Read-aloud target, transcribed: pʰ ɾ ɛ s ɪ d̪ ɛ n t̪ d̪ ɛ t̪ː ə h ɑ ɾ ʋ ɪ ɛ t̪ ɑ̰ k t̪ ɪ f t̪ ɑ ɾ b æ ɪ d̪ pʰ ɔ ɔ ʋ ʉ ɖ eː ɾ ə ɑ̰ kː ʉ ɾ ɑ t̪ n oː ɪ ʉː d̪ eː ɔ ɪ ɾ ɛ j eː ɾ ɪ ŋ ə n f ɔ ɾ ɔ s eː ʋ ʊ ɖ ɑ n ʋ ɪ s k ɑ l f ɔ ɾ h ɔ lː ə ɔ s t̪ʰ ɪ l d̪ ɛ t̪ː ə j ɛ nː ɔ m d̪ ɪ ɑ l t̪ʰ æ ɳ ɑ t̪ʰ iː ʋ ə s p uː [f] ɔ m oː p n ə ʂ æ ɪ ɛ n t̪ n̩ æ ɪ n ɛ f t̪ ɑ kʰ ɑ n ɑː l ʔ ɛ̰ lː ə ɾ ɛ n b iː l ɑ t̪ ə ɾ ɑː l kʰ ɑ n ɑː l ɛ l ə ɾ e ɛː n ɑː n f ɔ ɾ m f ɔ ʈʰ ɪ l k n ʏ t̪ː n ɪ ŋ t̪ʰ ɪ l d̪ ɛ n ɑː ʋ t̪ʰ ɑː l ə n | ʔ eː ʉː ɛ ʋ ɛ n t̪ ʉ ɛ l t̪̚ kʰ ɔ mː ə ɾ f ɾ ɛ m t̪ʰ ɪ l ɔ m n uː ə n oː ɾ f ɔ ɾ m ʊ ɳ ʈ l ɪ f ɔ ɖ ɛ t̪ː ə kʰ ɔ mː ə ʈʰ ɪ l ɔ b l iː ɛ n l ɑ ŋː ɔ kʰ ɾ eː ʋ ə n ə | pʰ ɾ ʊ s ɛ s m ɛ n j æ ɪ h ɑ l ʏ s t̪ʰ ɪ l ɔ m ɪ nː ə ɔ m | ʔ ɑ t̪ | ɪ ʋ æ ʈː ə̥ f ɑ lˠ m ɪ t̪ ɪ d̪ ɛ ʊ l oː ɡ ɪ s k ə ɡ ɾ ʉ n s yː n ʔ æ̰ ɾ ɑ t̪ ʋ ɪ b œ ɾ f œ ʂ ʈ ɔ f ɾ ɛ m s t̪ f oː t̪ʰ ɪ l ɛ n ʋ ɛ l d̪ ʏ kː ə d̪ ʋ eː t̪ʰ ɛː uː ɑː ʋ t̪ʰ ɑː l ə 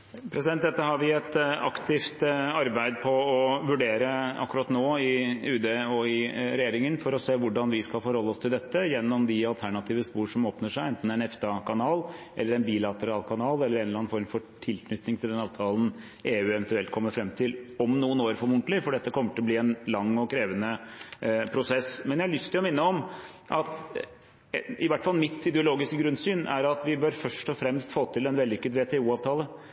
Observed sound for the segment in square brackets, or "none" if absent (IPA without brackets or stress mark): ʂ